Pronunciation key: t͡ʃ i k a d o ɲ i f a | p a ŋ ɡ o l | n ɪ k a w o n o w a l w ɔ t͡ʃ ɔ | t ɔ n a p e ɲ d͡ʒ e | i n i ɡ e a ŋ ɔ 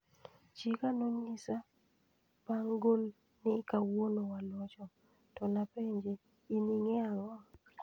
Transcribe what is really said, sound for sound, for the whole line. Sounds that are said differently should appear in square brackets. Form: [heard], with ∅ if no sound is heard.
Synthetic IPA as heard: t͡ʃ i k a [n] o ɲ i [s] a | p a ŋ ɡ o l | n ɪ k a w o n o w a l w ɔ t͡ʃ ɔ | t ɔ n a p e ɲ d͡ʒ e | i n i [ŋ] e a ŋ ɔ